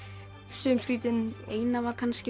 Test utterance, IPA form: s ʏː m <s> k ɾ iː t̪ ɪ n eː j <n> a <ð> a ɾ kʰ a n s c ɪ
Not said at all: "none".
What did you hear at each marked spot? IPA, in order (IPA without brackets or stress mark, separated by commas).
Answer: s, n, v